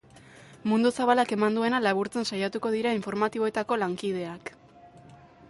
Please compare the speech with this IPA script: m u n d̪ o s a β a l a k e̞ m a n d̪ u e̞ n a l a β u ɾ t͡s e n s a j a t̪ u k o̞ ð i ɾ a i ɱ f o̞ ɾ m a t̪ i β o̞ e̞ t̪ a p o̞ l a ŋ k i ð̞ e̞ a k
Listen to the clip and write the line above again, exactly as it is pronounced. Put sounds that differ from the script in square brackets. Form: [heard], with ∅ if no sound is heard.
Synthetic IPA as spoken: m u n d̪ [u] s a β a l a k e̞ m a n d̪ u e̞ n a l a β u ɾ t͡s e n s a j a t̪ u k o̞ ð i ɾ a i ɱ f o̞ ɾ m a t̪ i β o̞ e̞ t̪ a [k] o̞ l a ŋ k i ð̞ e̞ a k